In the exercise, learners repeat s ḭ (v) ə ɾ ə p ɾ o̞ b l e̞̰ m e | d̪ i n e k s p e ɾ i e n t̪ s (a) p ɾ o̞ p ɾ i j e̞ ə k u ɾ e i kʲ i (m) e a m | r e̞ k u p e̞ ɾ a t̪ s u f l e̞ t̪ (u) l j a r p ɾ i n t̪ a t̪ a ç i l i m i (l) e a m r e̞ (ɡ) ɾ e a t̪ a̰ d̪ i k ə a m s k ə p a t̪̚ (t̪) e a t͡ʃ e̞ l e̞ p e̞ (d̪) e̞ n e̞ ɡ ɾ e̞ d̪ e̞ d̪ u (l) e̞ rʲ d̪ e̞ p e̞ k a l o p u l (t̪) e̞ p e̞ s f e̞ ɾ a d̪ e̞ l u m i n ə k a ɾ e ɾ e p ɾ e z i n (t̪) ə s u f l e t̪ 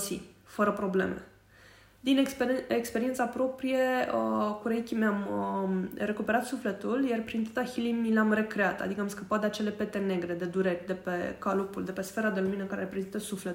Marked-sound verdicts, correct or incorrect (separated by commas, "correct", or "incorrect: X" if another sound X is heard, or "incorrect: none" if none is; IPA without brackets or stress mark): incorrect: f, correct, correct, correct, correct, incorrect: k, incorrect: d̪, incorrect: t̪, incorrect: ɾ, incorrect: d̪, correct